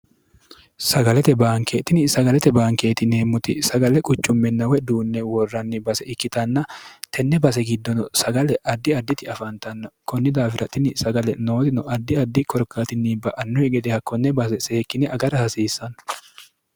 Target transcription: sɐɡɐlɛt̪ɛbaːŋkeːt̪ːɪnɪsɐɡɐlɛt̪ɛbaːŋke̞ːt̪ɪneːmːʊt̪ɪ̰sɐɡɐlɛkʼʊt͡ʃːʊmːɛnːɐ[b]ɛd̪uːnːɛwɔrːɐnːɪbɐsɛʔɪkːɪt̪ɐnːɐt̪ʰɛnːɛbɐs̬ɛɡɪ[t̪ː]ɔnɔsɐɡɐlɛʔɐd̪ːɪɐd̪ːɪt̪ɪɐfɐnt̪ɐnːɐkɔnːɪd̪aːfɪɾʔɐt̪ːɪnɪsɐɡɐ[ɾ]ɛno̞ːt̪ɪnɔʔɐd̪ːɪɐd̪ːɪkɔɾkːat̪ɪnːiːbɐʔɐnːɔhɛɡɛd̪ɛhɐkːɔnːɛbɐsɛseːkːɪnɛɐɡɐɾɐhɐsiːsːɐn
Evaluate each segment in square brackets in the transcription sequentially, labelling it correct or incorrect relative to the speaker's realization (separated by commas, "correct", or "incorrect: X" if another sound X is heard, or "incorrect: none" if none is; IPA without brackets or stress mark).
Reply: incorrect: w, incorrect: d̪ː, incorrect: l